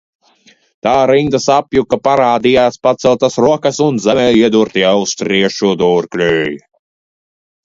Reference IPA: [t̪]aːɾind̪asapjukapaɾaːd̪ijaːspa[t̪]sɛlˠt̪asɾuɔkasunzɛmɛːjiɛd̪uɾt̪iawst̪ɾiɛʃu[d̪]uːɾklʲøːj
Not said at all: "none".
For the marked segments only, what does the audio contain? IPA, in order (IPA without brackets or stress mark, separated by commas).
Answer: t̪, t̪, d̪